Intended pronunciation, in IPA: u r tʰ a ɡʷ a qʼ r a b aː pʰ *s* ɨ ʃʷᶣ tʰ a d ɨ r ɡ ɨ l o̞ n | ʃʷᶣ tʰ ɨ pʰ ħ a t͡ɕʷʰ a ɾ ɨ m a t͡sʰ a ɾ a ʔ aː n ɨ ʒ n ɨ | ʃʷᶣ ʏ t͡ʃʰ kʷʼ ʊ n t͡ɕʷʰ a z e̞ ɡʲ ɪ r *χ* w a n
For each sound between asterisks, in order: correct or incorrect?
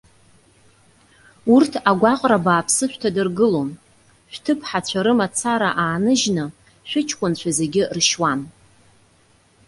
correct, incorrect: ʃ

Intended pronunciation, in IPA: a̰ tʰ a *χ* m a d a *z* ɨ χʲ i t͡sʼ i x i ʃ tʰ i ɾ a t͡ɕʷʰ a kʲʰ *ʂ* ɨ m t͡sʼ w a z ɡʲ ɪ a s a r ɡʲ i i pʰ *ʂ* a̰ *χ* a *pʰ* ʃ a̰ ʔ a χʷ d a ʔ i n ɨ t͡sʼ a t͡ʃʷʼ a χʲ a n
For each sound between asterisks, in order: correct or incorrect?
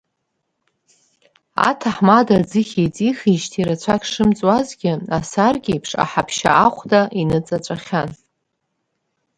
incorrect: ħ, incorrect: d͡z, correct, correct, incorrect: ħ, correct

